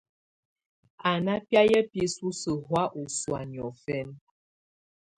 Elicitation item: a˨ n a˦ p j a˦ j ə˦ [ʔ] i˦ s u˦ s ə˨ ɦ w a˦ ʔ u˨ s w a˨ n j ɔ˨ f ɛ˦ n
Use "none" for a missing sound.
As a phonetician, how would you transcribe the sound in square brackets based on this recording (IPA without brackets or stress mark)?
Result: p